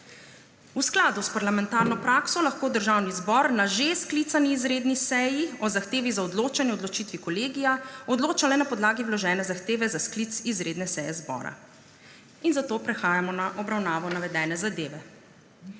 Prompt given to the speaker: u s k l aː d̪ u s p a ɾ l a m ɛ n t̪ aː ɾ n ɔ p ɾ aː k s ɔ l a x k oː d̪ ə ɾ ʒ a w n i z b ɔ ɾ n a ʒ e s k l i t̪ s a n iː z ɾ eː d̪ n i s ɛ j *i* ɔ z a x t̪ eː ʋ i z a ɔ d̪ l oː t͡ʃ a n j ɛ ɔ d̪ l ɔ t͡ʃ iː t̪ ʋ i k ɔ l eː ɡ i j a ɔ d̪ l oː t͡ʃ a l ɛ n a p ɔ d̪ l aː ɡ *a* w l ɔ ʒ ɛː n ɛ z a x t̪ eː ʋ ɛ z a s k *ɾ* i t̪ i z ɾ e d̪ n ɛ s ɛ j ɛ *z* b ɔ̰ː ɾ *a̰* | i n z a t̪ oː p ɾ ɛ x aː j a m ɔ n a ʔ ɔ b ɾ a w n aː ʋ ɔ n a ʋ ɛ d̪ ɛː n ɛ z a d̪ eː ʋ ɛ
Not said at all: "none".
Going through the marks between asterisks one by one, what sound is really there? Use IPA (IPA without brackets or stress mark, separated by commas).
i, i, l, z, a̰